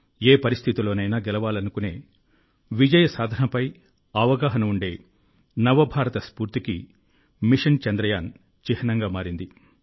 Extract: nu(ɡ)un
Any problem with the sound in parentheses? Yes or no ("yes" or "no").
yes